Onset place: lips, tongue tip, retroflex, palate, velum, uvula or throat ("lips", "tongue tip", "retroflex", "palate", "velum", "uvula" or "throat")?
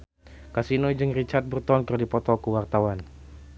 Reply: velum